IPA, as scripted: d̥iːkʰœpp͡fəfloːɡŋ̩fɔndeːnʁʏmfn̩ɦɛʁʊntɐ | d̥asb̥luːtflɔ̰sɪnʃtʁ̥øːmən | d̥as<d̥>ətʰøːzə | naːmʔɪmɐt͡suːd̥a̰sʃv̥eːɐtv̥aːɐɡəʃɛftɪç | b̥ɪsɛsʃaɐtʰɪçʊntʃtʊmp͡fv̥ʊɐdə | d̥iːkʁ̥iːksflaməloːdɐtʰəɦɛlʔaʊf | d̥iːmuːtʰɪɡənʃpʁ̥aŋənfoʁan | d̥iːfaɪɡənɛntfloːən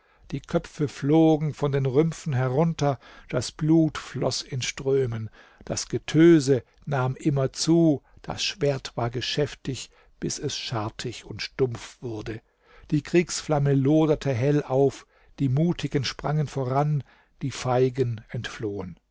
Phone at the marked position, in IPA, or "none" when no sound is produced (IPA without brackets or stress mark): ɡ̥